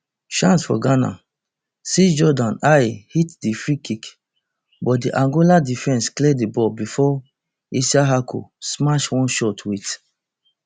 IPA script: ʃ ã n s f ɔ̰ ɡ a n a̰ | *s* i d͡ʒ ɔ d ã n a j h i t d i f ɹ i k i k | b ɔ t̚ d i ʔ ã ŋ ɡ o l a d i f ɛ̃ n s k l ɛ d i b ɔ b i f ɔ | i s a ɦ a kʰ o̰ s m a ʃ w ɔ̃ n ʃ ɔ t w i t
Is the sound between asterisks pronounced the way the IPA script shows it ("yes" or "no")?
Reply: yes